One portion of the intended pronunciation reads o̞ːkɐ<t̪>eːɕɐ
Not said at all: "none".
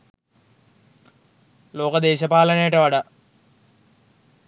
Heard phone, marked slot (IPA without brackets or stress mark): d̪